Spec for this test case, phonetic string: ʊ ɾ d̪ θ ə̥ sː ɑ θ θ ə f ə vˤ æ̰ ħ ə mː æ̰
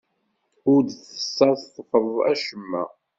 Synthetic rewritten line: ʊ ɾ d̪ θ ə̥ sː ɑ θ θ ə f ə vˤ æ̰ ʃ ə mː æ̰